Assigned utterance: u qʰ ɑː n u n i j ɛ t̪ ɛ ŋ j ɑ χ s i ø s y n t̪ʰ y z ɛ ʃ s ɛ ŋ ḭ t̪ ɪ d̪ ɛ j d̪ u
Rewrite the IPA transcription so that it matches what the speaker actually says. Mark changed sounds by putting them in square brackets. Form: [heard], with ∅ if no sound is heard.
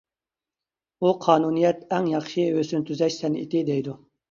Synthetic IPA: u qʰ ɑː n u n i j ɛ t̪ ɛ ŋ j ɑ χ [ʃ] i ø s y n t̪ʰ y z ɛ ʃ s ɛ [n] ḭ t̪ ɪ d̪ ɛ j d̪ u

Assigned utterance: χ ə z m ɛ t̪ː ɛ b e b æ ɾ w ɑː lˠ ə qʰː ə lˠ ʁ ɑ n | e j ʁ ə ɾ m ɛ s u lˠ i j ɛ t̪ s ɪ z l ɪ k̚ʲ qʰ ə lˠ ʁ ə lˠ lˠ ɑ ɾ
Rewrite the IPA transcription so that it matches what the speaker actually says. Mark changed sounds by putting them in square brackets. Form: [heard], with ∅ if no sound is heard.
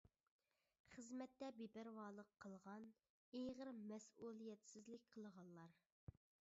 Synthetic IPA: χ ə z m ɛ t̪ː ɛ b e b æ ɾ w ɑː lˠ ə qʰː ə lˠ ʁ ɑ n | e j ʁ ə ɾ m ɛ s u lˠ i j ɛ t̪ s ɪ z l ɪ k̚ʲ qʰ ə lˠ ʁ [ɑ] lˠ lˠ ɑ ɾ

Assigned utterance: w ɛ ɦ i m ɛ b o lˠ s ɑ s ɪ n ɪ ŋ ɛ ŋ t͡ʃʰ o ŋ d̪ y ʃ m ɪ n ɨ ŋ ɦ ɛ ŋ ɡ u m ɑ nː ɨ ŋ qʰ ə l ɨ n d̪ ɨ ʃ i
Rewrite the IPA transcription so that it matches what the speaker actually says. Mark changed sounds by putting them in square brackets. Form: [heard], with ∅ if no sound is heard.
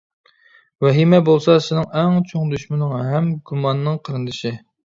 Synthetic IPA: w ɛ ɦ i m ɛ b o lˠ s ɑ s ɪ n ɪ ŋ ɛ ŋ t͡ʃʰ o ŋ d̪ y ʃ m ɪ n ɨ ŋ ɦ ɛ [m] ɡ u m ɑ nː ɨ ŋ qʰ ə [ɾ] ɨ n d̪ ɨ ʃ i

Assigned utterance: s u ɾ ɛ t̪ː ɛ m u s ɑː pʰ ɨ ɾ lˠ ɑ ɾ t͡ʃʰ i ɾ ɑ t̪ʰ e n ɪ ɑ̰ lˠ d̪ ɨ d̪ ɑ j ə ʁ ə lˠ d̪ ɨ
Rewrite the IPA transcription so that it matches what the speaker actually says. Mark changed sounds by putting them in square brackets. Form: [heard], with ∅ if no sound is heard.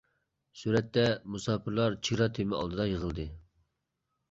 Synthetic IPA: s u ɾ ɛ t̪ː ɛ m u s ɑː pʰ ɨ ɾ lˠ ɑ ɾ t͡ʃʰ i ɾ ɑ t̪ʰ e [m] ɪ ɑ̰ lˠ d̪ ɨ d̪ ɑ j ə ʁ ə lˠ d̪ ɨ

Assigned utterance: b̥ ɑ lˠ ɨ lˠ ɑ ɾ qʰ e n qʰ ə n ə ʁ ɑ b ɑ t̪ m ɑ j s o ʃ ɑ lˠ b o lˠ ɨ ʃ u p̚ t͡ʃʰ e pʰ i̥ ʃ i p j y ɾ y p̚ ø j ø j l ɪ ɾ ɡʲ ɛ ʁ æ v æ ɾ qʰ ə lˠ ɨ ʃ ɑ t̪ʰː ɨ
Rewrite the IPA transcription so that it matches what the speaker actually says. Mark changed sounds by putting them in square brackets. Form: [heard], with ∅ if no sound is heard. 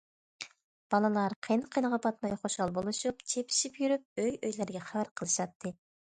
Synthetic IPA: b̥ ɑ lˠ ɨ lˠ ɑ ɾ qʰ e n qʰ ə n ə ʁ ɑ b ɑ t̪ m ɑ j [χ] o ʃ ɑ lˠ b o lˠ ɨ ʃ u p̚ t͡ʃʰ e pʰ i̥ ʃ i p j y ɾ y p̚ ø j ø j l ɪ ɾ ɡʲ ɛ [χ] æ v æ ɾ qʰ ə lˠ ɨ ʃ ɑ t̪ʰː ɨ

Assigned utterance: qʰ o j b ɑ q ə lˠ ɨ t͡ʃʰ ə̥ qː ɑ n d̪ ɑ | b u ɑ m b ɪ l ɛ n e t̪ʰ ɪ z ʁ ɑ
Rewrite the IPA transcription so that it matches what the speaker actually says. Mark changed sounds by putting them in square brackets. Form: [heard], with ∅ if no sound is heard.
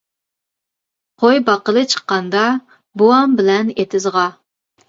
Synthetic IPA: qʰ o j b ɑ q ə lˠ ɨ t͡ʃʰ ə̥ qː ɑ n d̪ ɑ | b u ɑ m b ɪ l ɛ n e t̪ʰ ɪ z ʁ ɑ

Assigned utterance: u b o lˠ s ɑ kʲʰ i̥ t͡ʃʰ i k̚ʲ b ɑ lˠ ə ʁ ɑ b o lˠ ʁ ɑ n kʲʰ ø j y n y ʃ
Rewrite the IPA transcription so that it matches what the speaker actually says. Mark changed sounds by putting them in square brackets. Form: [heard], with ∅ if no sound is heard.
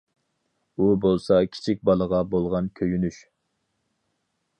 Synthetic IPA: u b o lˠ s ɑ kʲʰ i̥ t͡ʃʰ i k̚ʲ b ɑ lˠ ə ʁ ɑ b o lˠ ʁ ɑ n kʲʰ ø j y n y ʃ

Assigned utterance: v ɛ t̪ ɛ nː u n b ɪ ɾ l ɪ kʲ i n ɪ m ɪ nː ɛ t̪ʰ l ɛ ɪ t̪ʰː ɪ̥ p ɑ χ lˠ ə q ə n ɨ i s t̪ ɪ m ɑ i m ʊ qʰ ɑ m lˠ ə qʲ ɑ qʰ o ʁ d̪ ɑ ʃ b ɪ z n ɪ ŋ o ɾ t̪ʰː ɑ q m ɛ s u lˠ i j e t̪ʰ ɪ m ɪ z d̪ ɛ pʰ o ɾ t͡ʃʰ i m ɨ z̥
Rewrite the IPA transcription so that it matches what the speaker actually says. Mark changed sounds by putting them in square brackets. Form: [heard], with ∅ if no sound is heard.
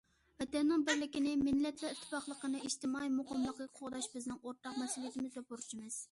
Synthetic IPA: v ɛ t̪ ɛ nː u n b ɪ ɾ l ɪ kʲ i n ɪ m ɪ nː ɛ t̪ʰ l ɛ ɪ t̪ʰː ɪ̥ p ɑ χ lˠ ə q ə n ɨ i [ʃ] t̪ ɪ m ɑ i m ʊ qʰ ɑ m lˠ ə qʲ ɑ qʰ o ʁ d̪ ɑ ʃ b ɪ z n ɪ ŋ o ɾ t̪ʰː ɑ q m ɛ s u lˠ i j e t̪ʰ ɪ m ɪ z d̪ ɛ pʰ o ɾ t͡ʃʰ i m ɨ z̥

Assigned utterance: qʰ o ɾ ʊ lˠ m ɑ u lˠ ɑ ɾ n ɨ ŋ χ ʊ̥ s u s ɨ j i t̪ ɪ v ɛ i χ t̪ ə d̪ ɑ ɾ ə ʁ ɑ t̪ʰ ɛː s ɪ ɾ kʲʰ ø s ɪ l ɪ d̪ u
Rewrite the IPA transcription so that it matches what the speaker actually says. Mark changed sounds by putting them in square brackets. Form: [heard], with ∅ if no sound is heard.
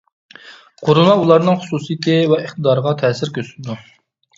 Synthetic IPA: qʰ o ɾ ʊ lˠ m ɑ u lˠ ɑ ɾ n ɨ ŋ χ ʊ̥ s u s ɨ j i t̪ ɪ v ɛ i χ t̪ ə d̪ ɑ ɾ ə ʁ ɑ t̪ʰ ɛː s ɪ ɾ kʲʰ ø s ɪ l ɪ d̪ u

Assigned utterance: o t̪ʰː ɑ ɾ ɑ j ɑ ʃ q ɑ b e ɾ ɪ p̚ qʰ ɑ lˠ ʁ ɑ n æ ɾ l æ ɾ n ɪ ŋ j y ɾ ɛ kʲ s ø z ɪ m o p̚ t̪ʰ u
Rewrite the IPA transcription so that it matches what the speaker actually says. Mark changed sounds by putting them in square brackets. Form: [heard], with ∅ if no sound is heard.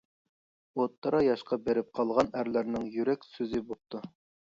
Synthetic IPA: o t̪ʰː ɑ ɾ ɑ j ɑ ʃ q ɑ b e ɾ ɪ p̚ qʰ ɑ lˠ ʁ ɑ n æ ɾ l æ ɾ n ɪ ŋ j y ɾ ɛ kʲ s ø z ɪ [b] o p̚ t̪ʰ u

